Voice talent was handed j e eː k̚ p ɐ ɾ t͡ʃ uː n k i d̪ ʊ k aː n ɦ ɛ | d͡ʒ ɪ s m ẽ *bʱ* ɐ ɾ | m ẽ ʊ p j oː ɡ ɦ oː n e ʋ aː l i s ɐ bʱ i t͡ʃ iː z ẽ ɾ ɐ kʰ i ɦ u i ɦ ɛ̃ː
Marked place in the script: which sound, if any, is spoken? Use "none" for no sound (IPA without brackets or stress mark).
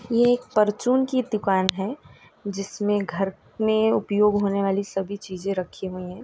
ɡʱ